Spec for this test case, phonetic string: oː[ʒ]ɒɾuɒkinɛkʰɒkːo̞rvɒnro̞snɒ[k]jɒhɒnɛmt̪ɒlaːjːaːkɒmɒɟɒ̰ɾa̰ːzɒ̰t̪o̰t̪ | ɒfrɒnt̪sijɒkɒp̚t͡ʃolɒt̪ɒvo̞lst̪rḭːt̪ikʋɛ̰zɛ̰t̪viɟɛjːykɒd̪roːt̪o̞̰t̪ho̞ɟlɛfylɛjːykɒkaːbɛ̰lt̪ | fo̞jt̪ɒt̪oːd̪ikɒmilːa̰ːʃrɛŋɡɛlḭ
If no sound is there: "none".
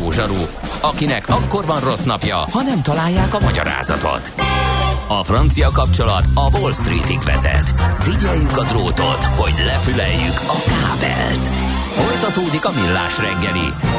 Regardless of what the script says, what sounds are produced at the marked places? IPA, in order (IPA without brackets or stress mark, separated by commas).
ʒ, p